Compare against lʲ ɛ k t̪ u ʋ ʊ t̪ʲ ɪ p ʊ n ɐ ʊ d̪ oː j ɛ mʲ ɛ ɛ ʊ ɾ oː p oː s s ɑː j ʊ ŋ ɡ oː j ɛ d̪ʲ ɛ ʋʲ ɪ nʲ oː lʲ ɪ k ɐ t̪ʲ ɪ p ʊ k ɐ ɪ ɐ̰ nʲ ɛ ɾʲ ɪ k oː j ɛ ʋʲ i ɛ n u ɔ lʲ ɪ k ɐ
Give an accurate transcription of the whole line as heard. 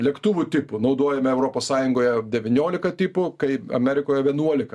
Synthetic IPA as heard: lʲ ɛ k t̪ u ʋ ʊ t̪ʲ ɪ p ʊ n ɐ ʊ d̪ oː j ɛ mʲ ɛ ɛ ʊ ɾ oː p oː s s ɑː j ʊ ŋ ɡ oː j ɛ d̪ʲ ɛ ʋʲ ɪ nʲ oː lʲ ɪ k ɐ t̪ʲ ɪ p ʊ k ɐ ɪ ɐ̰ mʲ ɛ ɾʲ ɪ k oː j ɛ ʋʲ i ɛ n u ɔ lʲ ɪ k ɐ